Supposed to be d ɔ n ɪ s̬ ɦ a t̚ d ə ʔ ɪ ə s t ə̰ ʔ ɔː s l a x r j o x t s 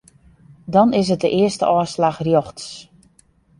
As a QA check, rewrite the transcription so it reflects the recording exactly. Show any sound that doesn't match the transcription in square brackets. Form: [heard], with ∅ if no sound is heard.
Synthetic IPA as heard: d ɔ n ɪ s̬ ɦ [ə] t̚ d ə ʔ ɪ ə s t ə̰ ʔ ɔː s l a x r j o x t s